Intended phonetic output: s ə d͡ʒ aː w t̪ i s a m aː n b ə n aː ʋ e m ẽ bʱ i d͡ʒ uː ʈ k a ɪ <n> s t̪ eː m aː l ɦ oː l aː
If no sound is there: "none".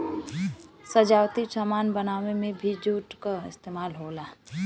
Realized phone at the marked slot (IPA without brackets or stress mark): none